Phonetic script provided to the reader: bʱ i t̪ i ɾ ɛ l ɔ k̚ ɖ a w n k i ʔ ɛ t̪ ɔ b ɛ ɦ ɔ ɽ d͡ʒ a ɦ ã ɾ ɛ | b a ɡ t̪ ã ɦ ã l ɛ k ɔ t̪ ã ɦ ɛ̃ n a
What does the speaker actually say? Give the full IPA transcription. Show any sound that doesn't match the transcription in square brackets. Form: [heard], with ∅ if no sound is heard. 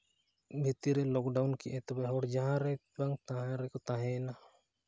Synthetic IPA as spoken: bʱ i t̪ i ɾ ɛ l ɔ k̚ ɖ a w n k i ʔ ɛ t̪ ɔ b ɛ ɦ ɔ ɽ d͡ʒ a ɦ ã ɾ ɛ | b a [ŋ] t̪ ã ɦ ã [ɾ] ɛ k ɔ t̪ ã ɦ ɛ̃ n a

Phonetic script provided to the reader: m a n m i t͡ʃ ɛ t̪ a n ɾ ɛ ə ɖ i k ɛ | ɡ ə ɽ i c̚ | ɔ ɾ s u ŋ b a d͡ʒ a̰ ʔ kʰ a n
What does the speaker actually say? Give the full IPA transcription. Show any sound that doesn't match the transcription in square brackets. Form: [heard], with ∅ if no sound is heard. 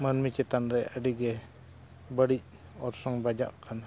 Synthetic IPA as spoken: m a n m i t͡ʃ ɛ t̪ a n ɾ ɛ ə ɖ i [ɡ] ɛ | [b] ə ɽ i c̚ | ɔ ɾ s [ɔ] ŋ b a d͡ʒ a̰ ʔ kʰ a n

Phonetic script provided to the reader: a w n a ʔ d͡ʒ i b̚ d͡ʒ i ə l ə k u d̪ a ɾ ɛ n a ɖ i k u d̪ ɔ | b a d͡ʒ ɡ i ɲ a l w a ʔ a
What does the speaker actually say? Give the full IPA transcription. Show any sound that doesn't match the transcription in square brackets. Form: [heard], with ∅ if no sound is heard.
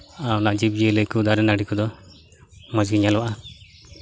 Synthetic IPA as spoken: a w n a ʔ d͡ʒ i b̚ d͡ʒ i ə l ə k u d̪ a ɾ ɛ n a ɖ i k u d̪ ɔ | [m] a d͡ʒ ɡ i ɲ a l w a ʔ a

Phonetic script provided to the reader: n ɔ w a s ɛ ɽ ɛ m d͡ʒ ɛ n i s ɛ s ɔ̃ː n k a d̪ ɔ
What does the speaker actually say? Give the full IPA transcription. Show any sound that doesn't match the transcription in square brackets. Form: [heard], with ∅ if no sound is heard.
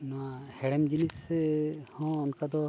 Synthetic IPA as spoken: n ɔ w a [h] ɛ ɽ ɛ m d͡ʒ [i] n i s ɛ [h] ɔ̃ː n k a d̪ ɔ

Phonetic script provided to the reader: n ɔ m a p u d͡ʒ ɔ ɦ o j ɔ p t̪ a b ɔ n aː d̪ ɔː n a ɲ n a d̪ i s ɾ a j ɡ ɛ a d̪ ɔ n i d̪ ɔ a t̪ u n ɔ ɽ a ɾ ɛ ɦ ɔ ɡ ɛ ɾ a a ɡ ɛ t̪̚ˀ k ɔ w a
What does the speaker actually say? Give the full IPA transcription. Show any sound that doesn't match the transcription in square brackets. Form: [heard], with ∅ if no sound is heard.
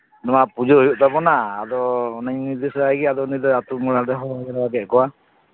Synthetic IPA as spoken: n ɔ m a p u d͡ʒ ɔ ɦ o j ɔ [ʔ] t̪ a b ɔ n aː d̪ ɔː n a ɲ n [i] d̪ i s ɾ a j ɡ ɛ a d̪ ɔ n i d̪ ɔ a t̪ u [m] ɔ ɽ a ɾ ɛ ɦ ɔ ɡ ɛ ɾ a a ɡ ɛ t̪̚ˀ k ɔ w a

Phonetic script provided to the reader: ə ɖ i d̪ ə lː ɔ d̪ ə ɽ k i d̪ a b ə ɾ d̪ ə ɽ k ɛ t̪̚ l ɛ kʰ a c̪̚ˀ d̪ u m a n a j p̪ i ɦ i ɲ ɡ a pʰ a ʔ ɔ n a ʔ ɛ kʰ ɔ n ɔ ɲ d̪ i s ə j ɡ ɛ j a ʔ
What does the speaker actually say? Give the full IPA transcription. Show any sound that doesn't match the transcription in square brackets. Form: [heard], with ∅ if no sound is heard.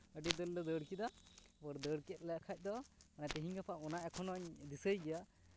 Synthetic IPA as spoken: ə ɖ i d̪ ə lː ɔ d̪ ə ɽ k i d̪ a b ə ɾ d̪ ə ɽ k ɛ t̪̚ l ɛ kʰ a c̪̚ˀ d̪ [ɔ] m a n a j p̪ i ɦ i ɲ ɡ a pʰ a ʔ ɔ n a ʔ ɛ kʰ ɔ n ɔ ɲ d̪ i s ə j ɡ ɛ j a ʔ

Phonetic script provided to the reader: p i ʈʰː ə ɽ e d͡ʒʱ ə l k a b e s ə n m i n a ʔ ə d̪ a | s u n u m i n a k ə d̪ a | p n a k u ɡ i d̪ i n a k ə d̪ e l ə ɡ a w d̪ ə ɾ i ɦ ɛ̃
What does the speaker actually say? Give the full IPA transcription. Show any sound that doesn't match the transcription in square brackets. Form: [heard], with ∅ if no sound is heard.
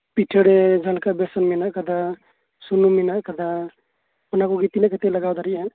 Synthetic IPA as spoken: p i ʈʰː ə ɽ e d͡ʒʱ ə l k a b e s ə n m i n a [k] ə d̪ a | s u n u m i n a k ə d̪ a | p n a k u ɡ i [t̪] i n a k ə [t̪] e l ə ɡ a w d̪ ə ɾ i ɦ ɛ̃

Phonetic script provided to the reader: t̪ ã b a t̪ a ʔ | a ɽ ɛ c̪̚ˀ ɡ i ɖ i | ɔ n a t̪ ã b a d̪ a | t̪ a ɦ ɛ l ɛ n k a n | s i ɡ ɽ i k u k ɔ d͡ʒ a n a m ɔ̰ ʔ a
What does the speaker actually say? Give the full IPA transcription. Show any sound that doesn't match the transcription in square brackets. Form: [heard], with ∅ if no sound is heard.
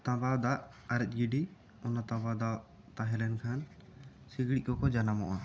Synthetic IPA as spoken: t̪ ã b a [d̪] a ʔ | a [ɾ] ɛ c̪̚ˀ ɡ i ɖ i | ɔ n a t̪ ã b a d̪ a | t̪ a ɦ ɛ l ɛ n [kʰ] a n | s i ɡ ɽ i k [ɔ] k ɔ d͡ʒ a n a m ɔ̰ ʔ a

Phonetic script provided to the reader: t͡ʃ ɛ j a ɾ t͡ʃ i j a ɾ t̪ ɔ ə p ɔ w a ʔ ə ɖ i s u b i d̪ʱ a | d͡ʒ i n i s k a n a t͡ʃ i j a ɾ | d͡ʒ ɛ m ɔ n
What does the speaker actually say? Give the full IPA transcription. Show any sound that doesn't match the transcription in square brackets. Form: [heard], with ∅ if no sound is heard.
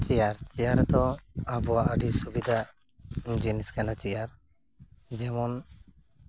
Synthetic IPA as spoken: t͡ʃ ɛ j a ɾ t͡ʃ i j a ɾ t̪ ɔ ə [b] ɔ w a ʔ ə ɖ i s u b i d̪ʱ a | d͡ʒ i n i s k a n a t͡ʃ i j a ɾ | d͡ʒ ɛ m ɔ n

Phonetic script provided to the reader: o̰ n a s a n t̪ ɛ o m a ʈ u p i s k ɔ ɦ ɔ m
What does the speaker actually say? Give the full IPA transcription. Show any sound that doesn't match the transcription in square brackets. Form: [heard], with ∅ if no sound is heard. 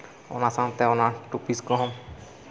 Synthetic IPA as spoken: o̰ n a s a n t̪ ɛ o [n] a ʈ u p i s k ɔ ɦ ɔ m

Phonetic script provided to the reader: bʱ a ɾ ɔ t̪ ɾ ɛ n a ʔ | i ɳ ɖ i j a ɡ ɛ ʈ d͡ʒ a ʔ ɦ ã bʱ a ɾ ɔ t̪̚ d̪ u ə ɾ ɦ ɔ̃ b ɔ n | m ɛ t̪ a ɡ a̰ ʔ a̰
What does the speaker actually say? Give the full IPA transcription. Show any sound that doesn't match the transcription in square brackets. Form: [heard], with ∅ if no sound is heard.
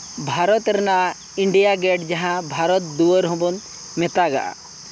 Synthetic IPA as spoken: bʱ a ɾ ɔ t̪ ɾ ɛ n a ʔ | i ɳ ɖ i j a ɡ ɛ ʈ d͡ʒ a [∅] ɦ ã bʱ a ɾ ɔ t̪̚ d̪ u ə ɾ ɦ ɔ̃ b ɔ n | m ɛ t̪ a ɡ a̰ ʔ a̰

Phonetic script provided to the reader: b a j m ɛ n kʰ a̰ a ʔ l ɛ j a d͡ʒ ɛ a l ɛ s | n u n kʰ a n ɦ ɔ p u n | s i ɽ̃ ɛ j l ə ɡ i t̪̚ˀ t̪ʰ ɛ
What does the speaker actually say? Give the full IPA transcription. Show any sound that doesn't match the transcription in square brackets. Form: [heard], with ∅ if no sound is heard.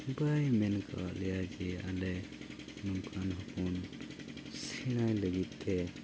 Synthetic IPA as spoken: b a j m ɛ n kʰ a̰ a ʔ l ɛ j a d͡ʒ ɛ a l ɛ [∅] | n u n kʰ a n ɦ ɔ p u n | s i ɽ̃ [a] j l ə ɡ i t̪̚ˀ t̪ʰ ɛ

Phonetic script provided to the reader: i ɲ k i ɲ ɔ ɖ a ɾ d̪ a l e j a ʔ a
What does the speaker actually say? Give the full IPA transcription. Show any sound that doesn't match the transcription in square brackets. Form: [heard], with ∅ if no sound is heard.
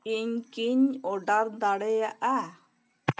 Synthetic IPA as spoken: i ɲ k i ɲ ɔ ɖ a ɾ d̪ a [ɽ] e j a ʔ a

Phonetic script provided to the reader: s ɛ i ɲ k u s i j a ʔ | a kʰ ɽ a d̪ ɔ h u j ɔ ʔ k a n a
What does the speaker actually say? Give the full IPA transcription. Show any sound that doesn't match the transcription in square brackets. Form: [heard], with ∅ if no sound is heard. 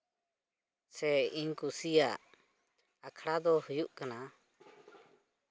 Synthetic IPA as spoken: s ɛ i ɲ k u s i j a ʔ | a kʰ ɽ a d̪ ɔ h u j [u] ʔ k a n a

